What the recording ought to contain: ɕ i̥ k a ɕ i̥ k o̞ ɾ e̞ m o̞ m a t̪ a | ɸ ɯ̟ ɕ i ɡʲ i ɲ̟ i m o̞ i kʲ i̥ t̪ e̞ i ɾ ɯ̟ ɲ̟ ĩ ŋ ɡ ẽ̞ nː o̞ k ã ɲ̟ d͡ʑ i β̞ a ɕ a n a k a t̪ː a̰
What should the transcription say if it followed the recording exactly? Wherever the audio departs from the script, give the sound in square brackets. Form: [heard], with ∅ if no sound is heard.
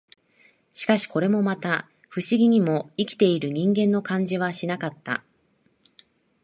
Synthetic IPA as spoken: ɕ i̥ k a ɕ i̥ k o̞ ɾ e̞ m o̞ m a t̪ a | ɸ ɯ̟ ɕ i ɡʲ i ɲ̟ i m o̞ i kʲ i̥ t̪ e̞ i ɾ ɯ̟ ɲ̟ ĩ ŋ ɡ ẽ̞ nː o̞ k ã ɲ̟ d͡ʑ i β̞ a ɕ [i] n a k a t̪ː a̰